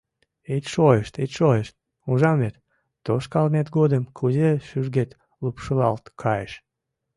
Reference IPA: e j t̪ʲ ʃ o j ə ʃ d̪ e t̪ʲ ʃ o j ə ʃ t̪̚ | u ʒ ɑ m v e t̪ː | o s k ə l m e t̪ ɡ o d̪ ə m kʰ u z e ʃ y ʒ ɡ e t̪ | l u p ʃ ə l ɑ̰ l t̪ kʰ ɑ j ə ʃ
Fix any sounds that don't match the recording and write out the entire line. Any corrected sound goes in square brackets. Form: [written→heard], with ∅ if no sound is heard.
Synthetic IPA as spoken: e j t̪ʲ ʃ o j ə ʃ [d̪→t̪] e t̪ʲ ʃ o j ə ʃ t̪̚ | u ʒ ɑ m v e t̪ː | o [s→ʃ] k [ə→ɑ] l m e t̪ ɡ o d̪ ə m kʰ u z e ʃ y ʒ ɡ e t̪ | l u p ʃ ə l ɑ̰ l t̪ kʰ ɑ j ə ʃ